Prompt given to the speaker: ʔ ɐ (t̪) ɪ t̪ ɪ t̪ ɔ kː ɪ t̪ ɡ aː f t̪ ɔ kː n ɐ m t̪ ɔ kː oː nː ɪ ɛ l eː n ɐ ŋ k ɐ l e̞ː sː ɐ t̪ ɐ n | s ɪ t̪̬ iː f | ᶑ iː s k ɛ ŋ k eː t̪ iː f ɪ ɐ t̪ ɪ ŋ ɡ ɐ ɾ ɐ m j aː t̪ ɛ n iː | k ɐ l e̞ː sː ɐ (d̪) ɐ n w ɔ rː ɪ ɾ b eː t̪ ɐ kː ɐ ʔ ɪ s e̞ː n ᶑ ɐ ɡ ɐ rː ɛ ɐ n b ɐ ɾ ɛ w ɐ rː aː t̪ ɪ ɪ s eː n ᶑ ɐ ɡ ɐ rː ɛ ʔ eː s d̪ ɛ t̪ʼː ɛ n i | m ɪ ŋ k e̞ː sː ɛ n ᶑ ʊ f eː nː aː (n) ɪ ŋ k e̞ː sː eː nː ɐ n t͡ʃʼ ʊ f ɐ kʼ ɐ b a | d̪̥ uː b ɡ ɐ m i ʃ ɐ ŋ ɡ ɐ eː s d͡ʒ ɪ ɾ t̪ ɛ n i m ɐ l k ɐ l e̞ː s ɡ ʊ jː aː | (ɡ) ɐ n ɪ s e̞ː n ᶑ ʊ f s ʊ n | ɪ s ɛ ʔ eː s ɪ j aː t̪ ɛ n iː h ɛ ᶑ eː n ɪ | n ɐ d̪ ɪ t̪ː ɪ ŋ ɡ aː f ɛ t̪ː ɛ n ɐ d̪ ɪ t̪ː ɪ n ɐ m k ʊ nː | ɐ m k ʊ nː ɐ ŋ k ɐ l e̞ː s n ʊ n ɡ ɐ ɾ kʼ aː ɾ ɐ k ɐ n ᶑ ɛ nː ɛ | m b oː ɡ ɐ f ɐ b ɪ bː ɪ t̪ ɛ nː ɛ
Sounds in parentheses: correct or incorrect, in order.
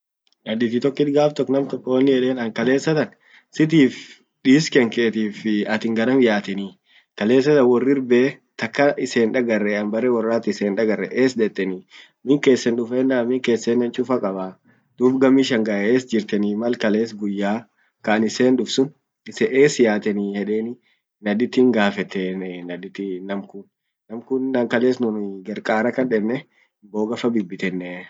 incorrect, incorrect, incorrect, incorrect

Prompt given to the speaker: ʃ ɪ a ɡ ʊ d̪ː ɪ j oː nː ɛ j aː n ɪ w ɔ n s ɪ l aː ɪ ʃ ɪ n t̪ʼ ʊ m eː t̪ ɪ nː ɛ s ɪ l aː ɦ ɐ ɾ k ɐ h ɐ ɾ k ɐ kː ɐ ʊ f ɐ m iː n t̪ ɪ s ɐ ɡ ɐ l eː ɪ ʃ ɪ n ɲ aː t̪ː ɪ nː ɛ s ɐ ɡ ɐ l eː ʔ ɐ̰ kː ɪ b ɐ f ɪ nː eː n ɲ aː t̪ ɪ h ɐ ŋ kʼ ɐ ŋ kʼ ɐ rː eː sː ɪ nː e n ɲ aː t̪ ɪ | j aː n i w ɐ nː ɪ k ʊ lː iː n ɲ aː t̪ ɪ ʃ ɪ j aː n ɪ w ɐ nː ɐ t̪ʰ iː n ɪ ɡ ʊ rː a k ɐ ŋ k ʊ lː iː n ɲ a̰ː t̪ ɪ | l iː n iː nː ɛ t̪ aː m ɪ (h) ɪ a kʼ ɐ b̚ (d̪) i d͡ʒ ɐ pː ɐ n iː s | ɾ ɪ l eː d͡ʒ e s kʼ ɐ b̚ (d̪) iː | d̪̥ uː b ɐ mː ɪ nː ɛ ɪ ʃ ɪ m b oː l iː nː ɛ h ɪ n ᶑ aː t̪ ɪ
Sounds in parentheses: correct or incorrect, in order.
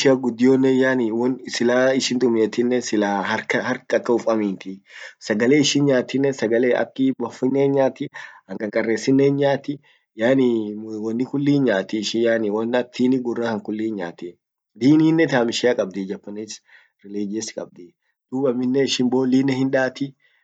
incorrect, correct, correct

